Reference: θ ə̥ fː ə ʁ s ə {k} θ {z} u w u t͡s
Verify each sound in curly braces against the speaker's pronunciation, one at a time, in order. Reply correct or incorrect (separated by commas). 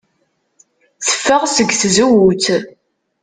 incorrect, correct